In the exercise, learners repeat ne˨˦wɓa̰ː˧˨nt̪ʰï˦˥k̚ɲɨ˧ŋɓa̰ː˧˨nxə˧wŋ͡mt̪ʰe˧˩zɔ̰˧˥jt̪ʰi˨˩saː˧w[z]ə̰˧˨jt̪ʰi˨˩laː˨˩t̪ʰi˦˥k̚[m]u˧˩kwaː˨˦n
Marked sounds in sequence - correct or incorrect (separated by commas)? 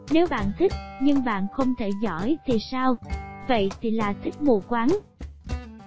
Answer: incorrect, correct